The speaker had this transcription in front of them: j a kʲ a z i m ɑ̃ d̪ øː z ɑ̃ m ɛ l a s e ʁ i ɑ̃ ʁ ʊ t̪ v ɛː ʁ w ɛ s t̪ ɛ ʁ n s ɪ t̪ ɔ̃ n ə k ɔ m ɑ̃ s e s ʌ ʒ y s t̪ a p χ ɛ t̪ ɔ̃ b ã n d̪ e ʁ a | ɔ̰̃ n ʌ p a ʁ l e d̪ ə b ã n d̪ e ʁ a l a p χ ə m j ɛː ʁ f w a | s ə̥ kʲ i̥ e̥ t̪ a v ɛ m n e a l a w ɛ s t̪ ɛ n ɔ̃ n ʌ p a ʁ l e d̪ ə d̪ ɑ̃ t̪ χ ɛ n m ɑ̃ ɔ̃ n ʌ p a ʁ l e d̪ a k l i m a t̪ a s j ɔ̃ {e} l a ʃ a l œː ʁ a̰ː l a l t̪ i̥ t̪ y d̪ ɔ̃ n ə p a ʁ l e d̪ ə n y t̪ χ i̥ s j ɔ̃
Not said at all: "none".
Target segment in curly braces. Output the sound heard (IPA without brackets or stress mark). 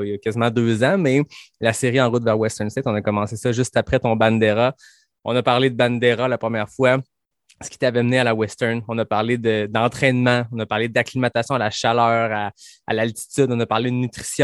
a